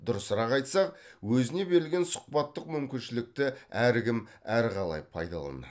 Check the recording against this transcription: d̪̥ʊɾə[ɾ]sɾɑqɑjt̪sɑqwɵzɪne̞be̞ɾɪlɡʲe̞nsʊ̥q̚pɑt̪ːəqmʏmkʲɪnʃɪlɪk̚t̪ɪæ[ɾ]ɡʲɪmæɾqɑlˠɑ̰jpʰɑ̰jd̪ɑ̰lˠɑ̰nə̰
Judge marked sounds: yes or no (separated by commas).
no, yes